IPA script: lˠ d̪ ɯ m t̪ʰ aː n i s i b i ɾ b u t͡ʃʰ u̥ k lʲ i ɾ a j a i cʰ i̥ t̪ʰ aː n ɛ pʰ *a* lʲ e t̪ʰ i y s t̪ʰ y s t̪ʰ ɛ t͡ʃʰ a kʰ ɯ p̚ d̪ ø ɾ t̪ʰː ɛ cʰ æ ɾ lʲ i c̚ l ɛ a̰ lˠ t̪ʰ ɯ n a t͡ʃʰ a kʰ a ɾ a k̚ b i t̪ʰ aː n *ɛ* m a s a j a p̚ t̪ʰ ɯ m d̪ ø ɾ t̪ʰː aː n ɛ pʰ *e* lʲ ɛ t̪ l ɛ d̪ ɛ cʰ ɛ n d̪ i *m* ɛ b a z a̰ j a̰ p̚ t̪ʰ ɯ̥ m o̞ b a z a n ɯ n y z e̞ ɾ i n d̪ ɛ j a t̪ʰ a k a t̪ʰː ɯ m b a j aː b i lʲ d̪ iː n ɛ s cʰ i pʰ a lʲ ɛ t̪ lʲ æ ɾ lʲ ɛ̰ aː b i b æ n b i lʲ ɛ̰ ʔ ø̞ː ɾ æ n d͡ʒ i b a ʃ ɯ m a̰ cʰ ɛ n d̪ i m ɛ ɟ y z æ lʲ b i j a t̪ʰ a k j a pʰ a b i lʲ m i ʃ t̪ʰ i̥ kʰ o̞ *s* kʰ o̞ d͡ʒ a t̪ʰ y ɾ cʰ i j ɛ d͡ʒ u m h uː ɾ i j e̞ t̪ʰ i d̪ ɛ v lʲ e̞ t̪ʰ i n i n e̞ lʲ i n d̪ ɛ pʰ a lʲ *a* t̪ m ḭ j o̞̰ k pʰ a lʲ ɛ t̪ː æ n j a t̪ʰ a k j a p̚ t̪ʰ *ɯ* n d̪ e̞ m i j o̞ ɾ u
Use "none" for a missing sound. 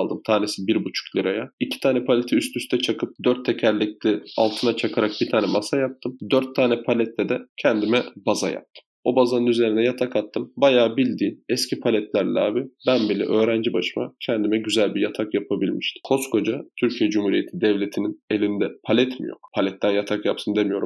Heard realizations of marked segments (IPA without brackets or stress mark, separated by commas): a, ɛ, a, m, s, ɛ, ɯ